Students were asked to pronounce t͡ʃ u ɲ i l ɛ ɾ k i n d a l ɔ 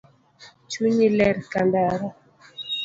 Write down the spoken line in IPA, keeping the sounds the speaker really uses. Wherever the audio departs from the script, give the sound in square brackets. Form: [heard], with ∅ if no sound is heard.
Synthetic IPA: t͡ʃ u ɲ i l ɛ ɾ k [a] n d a [ɾ] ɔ